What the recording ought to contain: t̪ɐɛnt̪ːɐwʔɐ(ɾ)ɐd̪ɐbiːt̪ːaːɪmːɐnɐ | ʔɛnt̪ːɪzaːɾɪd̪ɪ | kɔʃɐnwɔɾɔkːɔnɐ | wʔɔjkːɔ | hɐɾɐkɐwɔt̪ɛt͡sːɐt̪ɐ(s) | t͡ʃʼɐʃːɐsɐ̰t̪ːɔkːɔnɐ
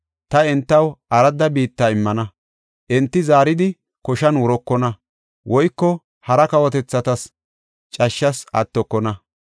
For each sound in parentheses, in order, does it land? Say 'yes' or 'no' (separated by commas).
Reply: yes, yes